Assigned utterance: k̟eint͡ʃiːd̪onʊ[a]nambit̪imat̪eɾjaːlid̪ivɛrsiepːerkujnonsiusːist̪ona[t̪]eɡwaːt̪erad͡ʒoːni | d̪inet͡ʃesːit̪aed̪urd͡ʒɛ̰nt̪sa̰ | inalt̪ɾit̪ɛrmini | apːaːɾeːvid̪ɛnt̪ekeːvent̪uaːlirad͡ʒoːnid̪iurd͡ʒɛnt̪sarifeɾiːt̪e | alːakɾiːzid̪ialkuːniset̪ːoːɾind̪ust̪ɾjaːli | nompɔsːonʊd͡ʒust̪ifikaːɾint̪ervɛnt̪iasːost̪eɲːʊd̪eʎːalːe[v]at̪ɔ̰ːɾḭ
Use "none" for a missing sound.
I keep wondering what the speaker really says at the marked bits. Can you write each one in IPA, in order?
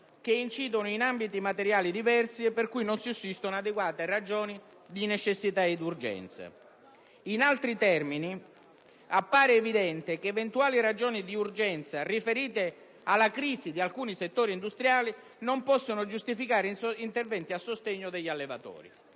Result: i, d̪, v

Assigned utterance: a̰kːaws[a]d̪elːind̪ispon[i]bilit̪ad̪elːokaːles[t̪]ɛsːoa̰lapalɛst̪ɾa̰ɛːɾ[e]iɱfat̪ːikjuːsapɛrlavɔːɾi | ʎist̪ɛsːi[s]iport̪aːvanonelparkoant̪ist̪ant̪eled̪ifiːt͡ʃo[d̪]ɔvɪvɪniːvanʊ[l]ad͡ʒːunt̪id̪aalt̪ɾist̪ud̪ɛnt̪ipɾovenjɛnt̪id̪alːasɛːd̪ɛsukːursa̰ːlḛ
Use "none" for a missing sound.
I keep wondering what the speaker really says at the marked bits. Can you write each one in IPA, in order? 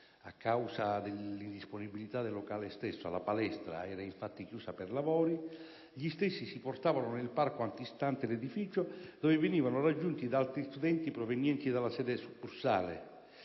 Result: a, i, t̪, a, s, d̪, r

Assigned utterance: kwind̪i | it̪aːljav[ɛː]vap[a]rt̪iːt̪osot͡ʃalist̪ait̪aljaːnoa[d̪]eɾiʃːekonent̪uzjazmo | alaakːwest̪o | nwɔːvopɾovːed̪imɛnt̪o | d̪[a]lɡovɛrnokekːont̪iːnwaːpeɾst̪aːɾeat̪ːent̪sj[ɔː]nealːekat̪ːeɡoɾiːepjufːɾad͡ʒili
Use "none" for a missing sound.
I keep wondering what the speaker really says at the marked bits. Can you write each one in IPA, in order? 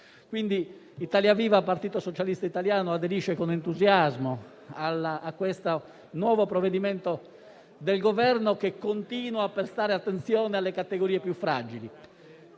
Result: iː, a, d̪, e, ɔː

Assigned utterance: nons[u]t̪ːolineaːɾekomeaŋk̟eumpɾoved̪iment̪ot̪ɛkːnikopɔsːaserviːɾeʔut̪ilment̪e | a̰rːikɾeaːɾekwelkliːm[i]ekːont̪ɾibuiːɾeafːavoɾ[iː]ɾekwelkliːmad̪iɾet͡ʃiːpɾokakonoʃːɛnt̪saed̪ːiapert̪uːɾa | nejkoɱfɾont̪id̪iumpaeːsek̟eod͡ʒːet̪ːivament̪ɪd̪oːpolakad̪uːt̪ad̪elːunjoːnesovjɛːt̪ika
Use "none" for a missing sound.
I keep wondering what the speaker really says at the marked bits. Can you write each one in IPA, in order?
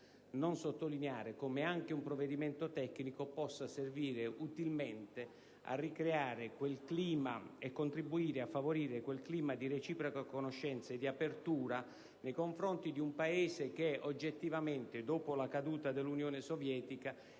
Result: o, a, iː

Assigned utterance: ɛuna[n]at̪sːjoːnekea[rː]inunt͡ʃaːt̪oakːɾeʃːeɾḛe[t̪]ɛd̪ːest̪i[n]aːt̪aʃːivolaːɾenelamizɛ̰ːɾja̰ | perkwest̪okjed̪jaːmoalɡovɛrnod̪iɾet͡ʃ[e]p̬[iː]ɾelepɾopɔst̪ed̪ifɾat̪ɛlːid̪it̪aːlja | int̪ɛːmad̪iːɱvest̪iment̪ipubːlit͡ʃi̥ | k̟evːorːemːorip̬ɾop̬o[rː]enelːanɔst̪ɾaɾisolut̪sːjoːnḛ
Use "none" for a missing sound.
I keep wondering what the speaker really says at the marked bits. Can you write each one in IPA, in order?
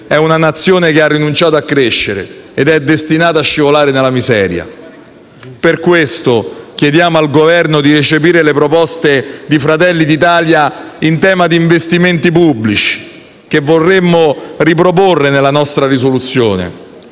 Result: n, rː, d̪, n, e, iː, rː

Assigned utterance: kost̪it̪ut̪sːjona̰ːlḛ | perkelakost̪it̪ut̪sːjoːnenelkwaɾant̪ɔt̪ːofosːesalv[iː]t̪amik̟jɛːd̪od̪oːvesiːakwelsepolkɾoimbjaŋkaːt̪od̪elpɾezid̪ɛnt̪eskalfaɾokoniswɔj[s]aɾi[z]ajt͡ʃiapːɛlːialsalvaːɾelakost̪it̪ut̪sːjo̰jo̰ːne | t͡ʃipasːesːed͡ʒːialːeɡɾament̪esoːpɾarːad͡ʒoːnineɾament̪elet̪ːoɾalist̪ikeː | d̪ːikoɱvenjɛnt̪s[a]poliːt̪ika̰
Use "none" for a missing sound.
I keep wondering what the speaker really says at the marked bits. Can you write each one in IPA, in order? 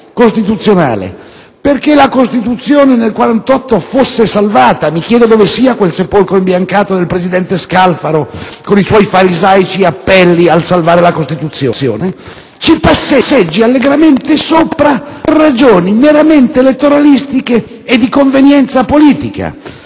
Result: aː, f, z, a

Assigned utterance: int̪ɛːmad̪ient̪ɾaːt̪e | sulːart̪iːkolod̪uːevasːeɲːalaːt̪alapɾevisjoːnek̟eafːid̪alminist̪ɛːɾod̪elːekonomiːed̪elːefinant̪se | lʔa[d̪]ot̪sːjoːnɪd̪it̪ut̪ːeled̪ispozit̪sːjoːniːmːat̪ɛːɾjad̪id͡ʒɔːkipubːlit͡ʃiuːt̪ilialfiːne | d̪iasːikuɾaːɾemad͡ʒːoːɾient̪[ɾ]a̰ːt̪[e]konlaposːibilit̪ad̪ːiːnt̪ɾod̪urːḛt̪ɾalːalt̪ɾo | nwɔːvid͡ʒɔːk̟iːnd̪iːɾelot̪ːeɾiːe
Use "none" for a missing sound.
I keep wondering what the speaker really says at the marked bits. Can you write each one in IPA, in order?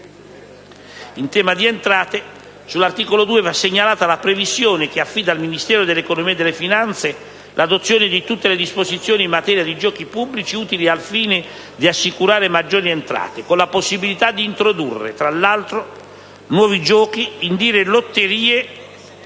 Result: d̪, ɾ, e

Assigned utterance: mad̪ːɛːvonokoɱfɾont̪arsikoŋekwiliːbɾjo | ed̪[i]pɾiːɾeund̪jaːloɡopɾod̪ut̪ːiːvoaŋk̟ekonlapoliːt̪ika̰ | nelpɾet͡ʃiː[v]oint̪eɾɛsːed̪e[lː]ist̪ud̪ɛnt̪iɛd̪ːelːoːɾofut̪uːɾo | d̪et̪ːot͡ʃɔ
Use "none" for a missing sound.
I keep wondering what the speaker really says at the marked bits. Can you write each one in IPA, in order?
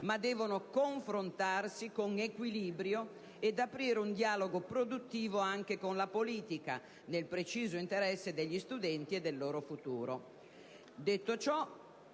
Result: a, z, ʎː

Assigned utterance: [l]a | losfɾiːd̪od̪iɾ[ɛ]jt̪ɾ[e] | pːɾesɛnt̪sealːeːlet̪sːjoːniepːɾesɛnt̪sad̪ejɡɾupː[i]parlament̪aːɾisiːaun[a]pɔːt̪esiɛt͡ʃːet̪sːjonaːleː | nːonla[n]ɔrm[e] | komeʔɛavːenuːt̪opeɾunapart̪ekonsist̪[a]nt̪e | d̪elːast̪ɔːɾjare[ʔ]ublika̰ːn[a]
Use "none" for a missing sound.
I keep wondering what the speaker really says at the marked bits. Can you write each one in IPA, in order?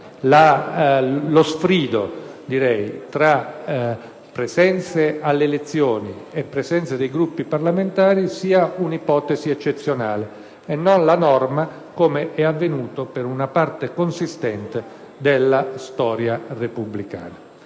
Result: l, ɛ, a, i, i, n, a, ɛ, p, a

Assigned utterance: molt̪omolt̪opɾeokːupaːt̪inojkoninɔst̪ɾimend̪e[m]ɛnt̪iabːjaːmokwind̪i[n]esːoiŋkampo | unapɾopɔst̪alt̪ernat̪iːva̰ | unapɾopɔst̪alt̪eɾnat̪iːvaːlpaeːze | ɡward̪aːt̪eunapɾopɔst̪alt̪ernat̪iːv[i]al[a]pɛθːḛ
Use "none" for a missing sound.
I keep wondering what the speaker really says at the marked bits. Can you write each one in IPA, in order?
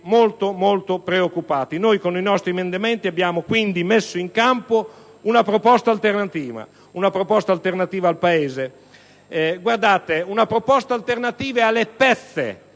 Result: m, m, e, e

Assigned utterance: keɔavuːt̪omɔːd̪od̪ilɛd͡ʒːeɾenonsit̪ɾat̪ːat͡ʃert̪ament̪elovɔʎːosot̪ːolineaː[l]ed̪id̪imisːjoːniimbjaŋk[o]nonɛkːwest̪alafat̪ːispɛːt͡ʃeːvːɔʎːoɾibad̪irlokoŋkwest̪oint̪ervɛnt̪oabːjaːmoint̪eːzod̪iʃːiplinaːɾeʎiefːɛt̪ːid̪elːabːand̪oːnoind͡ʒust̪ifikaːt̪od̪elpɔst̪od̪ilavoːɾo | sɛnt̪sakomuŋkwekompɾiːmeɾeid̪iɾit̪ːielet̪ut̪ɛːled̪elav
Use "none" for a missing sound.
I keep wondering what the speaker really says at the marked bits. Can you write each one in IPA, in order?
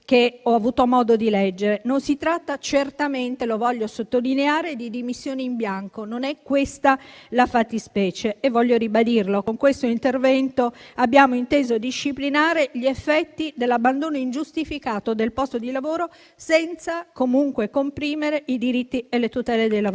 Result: ɾ, o

